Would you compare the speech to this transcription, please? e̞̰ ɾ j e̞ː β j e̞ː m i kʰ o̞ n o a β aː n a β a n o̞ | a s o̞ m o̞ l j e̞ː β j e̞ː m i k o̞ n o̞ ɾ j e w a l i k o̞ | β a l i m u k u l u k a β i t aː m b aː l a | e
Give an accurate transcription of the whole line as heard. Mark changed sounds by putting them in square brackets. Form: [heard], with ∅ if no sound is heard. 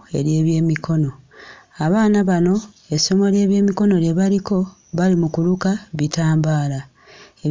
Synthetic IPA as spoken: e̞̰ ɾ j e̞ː β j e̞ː m i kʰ o̞ n o a β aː n a β a n o̞ | [e] s o̞ m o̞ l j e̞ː β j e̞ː m i k o̞ n o̞ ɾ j e [β] a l i k o̞ | β a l i m u k u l u k a β i t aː m b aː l a | e